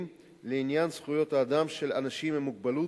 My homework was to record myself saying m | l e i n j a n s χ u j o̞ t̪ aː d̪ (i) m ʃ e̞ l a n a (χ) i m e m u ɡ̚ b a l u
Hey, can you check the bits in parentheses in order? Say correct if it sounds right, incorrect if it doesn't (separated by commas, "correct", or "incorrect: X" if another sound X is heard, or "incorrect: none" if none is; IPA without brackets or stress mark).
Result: incorrect: a, incorrect: ʃ